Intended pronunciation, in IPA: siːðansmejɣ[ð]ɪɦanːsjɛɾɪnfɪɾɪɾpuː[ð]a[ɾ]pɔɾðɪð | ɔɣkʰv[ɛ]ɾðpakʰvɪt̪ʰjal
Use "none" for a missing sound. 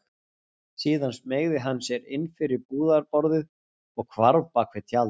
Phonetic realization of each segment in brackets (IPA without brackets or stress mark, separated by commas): ð, ð, ɾ, a